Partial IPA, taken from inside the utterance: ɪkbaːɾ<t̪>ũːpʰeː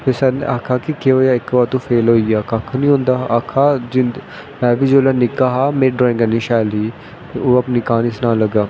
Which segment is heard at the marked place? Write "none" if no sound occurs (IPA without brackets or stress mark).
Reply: t̪